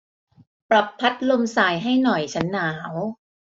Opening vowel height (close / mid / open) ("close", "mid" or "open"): open